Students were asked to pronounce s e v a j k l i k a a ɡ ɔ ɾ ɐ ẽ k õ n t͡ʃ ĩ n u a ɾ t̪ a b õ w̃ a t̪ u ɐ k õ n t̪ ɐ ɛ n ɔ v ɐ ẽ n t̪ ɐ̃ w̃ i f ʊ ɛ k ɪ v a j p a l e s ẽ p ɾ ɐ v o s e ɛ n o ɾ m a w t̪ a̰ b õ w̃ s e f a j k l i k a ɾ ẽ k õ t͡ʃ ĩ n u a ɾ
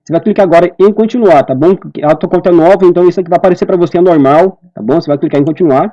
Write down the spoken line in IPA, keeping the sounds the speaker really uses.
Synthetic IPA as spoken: s e v a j k l i k a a ɡ ɔ ɾ ɐ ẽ k õ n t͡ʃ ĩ n u a ɾ t̪ a b õ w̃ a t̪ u ɐ k õ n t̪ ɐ ɛ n ɔ v ɐ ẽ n t̪ ɐ̃ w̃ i s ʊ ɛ k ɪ v a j p a ɾ e s e p ɾ ɐ v o s e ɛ n o ɾ m a w t̪ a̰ b õ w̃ s e v a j k l i k a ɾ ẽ k õ t͡ʃ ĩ n u a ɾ